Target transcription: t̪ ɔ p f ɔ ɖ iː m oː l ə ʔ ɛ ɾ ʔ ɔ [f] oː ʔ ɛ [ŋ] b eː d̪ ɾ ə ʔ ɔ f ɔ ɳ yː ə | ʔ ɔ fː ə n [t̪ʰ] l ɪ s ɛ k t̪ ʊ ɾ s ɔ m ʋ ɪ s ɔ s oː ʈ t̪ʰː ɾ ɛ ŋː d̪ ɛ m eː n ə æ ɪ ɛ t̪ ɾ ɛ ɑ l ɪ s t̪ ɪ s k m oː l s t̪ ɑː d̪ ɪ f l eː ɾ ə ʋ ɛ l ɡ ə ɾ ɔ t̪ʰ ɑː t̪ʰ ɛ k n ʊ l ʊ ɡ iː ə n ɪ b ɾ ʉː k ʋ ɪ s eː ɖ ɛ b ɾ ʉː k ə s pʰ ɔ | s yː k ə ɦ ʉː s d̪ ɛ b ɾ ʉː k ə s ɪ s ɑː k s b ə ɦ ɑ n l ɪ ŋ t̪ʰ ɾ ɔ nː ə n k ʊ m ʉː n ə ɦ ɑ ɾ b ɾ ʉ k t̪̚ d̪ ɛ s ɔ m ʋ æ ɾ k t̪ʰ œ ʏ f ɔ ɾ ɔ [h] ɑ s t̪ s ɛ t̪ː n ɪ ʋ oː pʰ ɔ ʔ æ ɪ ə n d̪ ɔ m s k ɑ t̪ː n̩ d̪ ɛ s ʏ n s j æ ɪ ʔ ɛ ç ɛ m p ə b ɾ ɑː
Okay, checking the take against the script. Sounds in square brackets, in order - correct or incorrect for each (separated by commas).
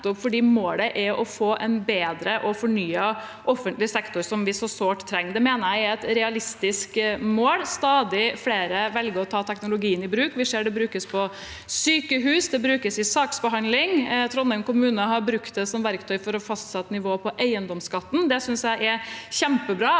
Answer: correct, incorrect, incorrect, incorrect